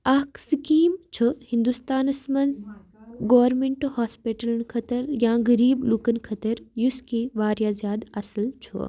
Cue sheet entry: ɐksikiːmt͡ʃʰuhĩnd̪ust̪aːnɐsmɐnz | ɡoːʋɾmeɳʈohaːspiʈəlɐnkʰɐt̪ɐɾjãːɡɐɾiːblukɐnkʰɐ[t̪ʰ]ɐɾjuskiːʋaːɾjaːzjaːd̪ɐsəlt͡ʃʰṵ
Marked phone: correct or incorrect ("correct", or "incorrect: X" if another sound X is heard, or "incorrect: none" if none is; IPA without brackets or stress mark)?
incorrect: t̪